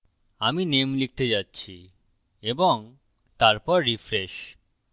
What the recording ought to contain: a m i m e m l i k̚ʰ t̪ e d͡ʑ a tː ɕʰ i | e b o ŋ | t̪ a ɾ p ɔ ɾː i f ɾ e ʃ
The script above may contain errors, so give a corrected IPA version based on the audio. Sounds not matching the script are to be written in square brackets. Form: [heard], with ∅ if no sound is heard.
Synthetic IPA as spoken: a m i [n] e m l i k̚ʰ t̪ e d͡ʑ a tː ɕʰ i | e b o ŋ | t̪ a ɾ p ɔ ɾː i f ɾ e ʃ